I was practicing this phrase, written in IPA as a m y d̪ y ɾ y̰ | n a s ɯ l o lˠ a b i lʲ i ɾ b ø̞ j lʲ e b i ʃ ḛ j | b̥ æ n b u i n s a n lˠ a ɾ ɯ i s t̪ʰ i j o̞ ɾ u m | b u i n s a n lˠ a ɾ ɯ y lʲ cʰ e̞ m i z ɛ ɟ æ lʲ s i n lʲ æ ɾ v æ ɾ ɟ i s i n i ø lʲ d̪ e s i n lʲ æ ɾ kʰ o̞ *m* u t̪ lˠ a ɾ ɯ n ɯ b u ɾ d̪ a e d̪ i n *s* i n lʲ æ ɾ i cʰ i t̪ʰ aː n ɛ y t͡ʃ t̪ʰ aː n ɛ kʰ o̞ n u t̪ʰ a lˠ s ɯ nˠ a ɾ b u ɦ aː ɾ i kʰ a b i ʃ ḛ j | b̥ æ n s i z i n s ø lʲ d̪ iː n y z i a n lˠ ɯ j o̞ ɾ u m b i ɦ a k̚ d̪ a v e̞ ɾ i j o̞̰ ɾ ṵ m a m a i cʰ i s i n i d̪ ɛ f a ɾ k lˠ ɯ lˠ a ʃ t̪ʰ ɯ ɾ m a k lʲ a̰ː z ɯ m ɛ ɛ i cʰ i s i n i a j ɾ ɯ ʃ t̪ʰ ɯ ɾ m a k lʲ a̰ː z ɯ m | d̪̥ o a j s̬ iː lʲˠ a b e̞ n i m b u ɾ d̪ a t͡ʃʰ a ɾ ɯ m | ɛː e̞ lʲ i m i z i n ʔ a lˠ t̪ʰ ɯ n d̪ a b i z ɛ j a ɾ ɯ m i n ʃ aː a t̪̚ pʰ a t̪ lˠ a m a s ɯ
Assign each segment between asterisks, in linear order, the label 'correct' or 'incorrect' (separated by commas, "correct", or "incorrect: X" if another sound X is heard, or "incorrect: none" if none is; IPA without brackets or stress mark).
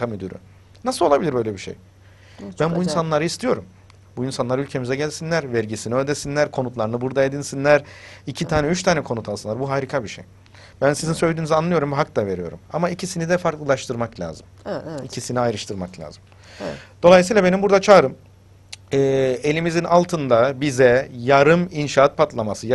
incorrect: n, correct